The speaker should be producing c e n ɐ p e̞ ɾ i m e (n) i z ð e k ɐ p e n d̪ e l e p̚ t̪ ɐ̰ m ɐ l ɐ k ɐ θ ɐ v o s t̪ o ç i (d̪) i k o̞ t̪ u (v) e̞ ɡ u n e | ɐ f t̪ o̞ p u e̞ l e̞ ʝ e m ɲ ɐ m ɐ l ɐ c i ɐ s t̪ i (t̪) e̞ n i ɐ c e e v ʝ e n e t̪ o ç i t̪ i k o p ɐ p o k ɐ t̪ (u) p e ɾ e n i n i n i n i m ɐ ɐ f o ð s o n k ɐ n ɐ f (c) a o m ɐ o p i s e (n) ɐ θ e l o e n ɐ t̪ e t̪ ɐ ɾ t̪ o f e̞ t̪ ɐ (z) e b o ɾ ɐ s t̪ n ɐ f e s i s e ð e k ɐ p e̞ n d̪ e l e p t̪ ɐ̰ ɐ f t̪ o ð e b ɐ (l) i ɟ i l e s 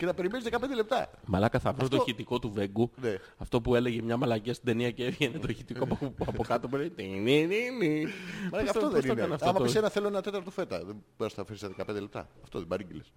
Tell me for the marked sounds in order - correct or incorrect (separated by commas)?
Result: correct, incorrect, correct, incorrect, incorrect, incorrect, correct, incorrect, incorrect